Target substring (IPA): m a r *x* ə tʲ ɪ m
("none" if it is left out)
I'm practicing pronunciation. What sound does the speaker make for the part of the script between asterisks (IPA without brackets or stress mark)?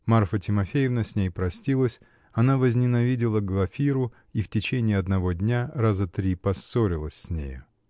f